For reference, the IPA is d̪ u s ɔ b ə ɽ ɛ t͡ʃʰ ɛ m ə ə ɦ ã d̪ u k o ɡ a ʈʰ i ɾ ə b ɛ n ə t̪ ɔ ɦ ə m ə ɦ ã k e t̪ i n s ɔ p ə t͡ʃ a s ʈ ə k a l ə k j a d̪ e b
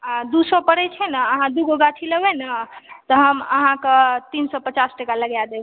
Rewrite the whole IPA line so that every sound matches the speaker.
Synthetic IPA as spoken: d̪ u s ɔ p ə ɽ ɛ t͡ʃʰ ɛ n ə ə ɦ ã d̪ u ɡ o ɡ a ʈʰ i l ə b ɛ n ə t̪ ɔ ɦ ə m ə ɦ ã k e t̪ i n s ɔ p ə t͡ʃ a s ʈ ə k a l ə ɡ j a d̪ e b